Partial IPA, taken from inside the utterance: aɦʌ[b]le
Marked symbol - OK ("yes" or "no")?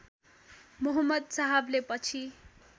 yes